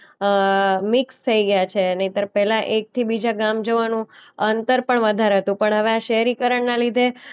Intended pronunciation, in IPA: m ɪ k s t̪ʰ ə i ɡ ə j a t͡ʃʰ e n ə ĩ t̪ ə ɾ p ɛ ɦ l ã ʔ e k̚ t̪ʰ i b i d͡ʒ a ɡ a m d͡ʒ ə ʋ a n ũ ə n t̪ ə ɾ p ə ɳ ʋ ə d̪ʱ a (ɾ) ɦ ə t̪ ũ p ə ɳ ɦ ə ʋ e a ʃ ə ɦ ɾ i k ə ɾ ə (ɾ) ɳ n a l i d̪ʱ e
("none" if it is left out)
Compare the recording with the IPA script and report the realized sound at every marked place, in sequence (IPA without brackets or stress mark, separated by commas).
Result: ɾ, none